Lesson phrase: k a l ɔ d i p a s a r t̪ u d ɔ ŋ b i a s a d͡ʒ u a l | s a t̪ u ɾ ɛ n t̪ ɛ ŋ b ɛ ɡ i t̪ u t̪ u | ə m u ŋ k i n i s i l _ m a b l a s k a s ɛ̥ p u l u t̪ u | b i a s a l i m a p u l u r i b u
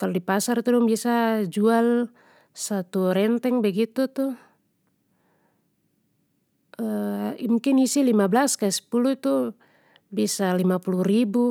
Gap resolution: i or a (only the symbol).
i